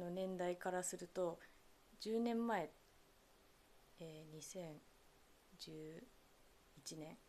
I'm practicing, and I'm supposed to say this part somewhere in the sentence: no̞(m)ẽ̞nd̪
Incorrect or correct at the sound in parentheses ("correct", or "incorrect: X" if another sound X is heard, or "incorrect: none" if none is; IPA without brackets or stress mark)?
incorrect: n